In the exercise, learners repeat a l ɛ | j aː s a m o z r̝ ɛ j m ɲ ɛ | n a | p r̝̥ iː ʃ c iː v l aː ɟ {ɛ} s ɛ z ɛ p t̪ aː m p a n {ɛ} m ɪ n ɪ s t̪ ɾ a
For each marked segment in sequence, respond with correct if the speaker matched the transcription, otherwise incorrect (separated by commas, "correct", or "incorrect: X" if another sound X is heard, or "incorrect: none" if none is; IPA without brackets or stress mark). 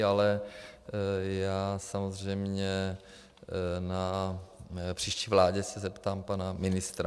correct, incorrect: a